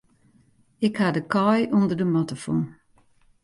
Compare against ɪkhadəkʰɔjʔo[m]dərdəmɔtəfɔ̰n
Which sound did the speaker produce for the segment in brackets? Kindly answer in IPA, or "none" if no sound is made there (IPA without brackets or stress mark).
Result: n